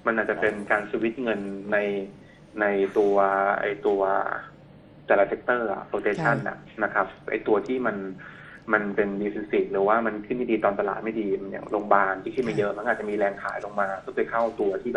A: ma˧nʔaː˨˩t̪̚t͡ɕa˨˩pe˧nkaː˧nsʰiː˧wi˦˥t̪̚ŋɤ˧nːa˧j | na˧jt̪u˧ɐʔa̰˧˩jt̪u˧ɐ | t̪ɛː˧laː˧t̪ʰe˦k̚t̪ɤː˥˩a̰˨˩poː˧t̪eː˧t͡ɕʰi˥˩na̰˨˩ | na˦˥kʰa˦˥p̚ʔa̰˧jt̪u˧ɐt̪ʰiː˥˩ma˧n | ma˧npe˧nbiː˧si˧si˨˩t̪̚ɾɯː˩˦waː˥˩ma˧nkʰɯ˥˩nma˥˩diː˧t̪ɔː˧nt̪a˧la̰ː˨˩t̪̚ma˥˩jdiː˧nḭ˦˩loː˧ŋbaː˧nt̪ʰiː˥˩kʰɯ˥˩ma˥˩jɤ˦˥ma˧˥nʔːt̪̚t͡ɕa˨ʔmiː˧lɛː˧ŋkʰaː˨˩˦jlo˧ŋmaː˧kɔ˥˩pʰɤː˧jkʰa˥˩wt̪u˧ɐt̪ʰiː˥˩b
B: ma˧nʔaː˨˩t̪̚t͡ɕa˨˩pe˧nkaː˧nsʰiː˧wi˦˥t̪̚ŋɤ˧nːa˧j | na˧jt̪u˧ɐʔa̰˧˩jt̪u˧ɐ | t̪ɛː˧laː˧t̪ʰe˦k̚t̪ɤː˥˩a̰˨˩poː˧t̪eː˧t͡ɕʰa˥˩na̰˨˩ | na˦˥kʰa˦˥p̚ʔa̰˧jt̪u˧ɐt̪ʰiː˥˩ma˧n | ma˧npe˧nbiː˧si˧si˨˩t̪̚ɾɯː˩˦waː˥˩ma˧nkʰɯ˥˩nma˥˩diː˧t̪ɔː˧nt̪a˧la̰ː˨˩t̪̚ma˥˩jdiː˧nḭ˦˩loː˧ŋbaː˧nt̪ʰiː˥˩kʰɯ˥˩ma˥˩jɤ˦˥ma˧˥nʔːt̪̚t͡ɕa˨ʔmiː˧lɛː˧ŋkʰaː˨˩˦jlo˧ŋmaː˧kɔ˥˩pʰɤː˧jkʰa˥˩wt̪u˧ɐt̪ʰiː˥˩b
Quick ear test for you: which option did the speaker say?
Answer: B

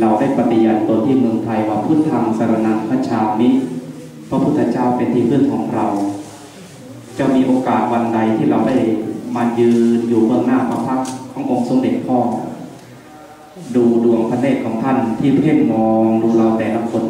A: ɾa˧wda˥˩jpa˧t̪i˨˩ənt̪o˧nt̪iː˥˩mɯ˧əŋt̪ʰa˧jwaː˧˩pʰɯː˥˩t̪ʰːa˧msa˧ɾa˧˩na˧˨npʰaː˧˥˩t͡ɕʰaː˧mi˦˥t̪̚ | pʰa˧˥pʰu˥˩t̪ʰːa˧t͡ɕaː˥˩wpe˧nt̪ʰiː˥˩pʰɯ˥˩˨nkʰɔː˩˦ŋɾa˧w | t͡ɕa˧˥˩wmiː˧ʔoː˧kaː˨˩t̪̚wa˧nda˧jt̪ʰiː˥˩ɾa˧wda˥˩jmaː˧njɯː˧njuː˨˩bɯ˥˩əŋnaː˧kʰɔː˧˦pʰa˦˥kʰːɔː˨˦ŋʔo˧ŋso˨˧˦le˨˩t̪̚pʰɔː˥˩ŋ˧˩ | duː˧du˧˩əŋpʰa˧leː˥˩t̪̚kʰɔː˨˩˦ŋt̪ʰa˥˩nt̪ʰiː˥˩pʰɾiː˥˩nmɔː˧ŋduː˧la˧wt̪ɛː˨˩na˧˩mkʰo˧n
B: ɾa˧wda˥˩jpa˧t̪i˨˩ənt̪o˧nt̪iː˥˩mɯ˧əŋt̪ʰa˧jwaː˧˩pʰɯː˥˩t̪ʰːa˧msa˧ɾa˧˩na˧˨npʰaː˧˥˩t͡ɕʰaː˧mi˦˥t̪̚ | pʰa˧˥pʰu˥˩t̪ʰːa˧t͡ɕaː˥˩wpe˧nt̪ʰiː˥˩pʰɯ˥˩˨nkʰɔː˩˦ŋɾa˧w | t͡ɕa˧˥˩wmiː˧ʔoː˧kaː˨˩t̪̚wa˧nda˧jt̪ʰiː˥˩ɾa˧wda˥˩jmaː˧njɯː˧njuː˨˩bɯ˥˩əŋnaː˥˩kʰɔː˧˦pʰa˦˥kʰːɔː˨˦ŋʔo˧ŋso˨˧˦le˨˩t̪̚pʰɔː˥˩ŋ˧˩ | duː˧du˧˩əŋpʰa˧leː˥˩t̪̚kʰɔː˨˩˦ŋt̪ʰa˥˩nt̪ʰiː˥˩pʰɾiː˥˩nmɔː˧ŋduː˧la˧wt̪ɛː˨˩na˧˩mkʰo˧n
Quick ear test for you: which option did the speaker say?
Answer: B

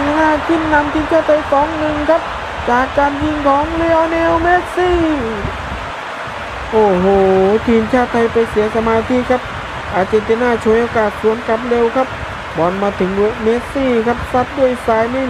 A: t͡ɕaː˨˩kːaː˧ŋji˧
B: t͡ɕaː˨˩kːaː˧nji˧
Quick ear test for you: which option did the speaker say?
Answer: B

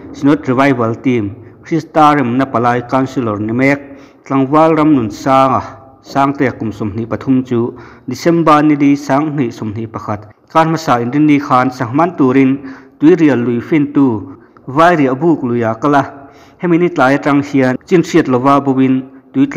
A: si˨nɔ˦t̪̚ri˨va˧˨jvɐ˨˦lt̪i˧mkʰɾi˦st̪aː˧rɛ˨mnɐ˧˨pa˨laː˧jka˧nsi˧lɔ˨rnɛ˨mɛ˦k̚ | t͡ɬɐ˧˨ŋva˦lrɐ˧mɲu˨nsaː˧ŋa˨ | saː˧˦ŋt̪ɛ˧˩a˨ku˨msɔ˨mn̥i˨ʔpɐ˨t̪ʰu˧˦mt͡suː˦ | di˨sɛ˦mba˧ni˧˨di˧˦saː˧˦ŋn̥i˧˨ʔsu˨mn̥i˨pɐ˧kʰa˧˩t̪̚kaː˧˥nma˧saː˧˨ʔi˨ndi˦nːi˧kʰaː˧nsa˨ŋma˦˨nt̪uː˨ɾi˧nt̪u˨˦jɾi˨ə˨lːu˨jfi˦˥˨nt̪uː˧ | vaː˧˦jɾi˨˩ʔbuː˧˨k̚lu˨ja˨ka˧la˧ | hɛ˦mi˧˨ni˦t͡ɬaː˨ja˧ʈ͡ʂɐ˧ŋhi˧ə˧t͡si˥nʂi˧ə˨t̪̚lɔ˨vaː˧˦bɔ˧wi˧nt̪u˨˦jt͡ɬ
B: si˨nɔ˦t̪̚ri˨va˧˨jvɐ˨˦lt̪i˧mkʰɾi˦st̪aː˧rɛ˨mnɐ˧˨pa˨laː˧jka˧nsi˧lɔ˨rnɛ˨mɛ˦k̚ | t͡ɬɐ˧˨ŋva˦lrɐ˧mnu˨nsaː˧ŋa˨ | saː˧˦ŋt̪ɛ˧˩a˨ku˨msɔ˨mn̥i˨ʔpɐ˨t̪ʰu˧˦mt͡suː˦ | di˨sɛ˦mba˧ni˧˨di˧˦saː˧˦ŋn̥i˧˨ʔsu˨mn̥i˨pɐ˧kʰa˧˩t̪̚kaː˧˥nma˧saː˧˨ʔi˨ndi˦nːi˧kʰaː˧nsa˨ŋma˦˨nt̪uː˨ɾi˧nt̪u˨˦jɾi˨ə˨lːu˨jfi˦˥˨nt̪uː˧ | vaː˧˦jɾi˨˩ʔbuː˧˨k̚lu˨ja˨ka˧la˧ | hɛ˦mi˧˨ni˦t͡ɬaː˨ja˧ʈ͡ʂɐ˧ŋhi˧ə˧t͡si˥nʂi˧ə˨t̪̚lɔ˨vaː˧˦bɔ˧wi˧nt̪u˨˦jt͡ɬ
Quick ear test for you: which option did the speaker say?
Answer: B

